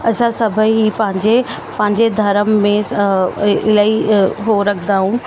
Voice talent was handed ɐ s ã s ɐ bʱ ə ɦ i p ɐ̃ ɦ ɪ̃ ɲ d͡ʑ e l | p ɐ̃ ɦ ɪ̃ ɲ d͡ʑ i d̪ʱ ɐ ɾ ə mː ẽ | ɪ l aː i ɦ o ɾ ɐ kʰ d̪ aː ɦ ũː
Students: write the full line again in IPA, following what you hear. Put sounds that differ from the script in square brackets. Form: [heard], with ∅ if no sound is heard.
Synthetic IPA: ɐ s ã s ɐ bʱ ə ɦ i p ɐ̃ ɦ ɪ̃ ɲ d͡ʑ e [∅] | p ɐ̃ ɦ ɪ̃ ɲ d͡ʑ [e] d̪ʱ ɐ ɾ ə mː ẽ | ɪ l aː i ɦ o ɾ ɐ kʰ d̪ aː ɦ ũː

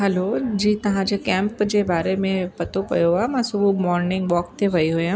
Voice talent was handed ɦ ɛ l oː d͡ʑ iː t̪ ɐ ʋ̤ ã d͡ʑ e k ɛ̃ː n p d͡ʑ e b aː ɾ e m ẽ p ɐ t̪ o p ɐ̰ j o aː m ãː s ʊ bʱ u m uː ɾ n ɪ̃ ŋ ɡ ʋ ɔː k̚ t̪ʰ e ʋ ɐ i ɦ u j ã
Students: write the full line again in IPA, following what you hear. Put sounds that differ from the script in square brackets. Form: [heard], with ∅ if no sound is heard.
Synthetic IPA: ɦ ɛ l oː d͡ʑ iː t̪ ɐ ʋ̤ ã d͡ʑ e k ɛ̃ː [m] p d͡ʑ e b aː ɾ e m ẽ p ɐ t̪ o p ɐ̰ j o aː m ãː s ʊ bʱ u m [ɔː] ɾ n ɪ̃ ŋ ɡ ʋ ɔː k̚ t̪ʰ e ʋ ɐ i ɦ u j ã

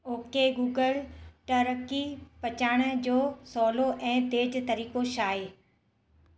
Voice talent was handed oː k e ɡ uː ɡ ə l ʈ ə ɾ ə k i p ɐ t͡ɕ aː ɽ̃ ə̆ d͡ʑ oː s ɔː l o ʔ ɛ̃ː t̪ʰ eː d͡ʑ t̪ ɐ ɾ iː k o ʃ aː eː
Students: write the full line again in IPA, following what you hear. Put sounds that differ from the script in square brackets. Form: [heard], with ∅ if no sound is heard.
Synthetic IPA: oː k e ɡ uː ɡ ə l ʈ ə ɾ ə k i p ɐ t͡ɕ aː ɽ̃ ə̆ d͡ʑ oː s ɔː l o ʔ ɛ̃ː [t̪] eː d͡ʑ t̪ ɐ ɾ iː k o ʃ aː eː

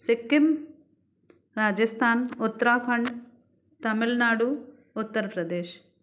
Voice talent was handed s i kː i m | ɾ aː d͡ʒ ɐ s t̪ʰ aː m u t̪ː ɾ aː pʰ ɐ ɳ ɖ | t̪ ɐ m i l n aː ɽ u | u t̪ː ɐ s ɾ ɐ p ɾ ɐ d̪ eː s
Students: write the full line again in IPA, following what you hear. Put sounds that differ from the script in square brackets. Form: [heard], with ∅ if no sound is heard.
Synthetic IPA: s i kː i m | ɾ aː d͡ʒ ɐ s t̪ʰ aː [n] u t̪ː ɾ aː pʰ ɐ ɳ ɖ | t̪ ɐ m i l n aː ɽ u | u t̪ː ɐ [∅] ɾ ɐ p ɾ ɐ d̪ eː [ʃ]

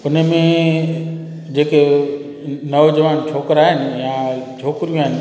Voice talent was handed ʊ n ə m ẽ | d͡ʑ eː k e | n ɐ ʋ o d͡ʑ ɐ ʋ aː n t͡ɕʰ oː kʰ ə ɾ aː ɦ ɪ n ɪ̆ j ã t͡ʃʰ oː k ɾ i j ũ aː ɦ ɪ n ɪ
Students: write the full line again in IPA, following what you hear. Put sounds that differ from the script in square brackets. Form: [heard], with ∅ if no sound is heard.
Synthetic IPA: ʊ n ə m ẽ | d͡ʑ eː k e | n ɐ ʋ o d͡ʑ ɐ ʋ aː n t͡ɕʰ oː [k] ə ɾ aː ɦ ɪ n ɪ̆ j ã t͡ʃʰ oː k ɾ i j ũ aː ɦ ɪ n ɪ

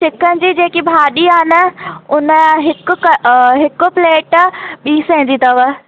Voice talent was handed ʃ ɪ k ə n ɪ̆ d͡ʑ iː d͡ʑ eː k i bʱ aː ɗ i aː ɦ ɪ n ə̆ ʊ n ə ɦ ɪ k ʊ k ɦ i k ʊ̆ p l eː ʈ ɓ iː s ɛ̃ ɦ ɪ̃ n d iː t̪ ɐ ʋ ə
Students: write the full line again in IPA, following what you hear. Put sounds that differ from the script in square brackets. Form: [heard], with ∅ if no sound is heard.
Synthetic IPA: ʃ ɪ k ə n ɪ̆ d͡ʑ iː d͡ʑ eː k i bʱ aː ɗ i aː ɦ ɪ n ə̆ ʊ n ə ɦ ɪ k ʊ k ɦ [ɪ] k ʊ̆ p l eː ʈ ɓ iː s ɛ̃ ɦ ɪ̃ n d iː t̪ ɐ ʋ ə

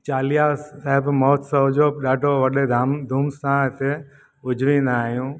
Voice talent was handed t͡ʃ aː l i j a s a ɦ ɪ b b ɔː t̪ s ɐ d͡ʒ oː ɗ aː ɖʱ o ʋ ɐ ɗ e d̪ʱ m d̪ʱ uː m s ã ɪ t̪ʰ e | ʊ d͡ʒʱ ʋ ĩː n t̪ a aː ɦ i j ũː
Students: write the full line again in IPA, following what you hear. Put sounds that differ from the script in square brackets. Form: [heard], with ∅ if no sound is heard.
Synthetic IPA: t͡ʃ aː l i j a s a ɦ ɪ b [m] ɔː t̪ s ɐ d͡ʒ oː ɗ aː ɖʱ o ʋ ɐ ɗ e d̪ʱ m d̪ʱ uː m s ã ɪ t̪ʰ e | ʊ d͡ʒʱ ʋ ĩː n [d̪] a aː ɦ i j ũː

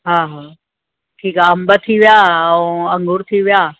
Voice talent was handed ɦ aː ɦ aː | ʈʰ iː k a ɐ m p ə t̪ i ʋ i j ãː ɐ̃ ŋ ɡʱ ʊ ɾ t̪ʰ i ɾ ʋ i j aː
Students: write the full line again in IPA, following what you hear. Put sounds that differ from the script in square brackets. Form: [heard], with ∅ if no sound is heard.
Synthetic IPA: ɦ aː ɦ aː | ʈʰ iː k a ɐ m [b] ə [t̪ʰ] i ʋ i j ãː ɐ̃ ŋ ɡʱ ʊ ɾ t̪ʰ i [∅] ʋ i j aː

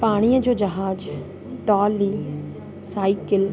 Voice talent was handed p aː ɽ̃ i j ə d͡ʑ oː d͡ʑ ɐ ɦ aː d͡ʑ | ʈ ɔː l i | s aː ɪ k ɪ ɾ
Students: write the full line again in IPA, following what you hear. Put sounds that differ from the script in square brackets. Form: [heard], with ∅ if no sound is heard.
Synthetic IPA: p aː ɽ̃ i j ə d͡ʑ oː d͡ʑ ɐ ɦ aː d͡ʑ | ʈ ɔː l i | s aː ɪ k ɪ [l]

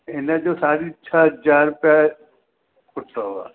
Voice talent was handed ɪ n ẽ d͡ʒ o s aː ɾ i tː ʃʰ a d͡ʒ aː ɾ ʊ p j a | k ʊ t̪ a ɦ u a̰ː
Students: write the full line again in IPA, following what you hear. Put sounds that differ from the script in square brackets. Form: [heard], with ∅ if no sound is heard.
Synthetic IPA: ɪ n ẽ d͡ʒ o s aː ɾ i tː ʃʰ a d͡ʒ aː ɾ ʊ p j a | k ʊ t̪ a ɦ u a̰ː

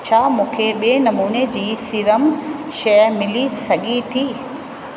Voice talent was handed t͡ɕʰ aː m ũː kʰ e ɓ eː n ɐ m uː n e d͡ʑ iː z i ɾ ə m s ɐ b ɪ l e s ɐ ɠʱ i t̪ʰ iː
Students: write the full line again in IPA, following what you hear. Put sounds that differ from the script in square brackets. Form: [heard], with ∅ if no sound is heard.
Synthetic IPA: t͡ɕʰ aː m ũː kʰ e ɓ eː n ɐ m uː n e d͡ʑ iː [s] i ɾ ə m [ʃ] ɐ [m] ɪ l [i] s ɐ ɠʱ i t̪ʰ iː

